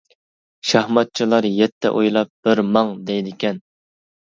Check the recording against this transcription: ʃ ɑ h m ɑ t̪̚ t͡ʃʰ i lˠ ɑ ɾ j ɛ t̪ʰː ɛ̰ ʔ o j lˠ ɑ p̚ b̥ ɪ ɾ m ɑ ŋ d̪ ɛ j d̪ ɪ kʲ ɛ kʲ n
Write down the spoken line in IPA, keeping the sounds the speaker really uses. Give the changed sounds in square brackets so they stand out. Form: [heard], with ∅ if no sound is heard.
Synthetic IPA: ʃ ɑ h m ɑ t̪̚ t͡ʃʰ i lˠ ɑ ɾ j ɛ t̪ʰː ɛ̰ ʔ o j lˠ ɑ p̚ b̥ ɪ ɾ m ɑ ŋ d̪ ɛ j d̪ ɪ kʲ ɛ [∅] n